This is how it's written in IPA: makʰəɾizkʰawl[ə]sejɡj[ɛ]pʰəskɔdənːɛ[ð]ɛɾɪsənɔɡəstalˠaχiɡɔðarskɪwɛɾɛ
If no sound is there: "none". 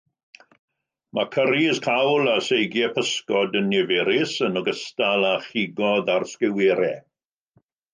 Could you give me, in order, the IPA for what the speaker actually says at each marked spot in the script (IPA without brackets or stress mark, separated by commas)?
a, ɛ, v